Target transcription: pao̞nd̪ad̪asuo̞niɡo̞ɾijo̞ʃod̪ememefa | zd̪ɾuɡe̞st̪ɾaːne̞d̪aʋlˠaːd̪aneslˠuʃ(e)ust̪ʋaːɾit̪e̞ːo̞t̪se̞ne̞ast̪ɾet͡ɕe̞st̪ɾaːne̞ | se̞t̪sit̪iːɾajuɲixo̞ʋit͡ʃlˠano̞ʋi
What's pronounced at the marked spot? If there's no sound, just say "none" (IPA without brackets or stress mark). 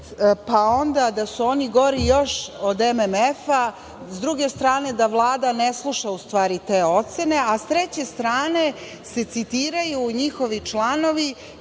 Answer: a